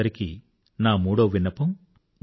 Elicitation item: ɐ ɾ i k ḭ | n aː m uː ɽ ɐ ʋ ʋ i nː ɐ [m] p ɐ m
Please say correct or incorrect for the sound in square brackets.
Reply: incorrect